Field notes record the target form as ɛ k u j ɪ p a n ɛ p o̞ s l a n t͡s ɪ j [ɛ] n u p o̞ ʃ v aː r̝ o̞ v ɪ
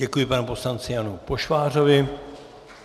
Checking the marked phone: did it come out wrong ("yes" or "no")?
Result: yes